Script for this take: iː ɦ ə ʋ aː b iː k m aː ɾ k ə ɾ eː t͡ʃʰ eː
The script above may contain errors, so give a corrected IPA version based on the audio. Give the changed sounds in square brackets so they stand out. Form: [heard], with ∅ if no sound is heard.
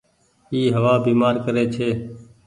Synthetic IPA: iː ɦ ə ʋ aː b iː [∅] m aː ɾ k ə ɾ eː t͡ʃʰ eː